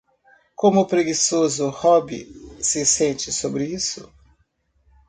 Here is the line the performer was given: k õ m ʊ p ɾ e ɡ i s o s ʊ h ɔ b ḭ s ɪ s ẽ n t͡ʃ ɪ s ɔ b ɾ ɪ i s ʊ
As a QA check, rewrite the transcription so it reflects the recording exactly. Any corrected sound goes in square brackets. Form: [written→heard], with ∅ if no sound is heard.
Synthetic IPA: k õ m ʊ p ɾ e ɡ i s o [s→z] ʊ h ɔ b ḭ s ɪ s ẽ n t͡ʃ ɪ s [ɔ→o] b ɾ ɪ i s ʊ